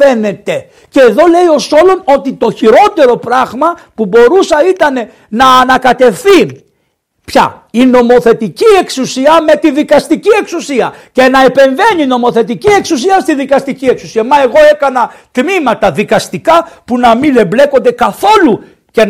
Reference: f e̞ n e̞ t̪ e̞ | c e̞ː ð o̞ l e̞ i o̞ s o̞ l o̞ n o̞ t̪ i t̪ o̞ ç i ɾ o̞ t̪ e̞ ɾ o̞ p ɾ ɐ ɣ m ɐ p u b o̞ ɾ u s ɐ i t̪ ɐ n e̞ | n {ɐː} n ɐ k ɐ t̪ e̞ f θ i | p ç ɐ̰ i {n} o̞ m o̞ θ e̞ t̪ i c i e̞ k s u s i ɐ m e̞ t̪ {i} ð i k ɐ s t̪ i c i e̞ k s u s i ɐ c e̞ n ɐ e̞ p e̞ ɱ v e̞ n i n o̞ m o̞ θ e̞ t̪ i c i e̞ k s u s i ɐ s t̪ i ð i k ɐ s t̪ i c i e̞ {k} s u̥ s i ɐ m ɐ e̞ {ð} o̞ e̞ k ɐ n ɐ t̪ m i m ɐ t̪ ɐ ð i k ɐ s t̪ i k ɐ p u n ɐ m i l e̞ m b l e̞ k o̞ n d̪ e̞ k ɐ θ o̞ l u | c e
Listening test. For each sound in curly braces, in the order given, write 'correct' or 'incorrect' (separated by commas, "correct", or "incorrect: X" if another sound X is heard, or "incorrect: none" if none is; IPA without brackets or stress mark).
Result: correct, correct, correct, correct, incorrect: ɣ